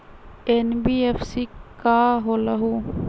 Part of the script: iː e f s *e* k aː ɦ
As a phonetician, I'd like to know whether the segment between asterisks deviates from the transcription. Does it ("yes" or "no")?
yes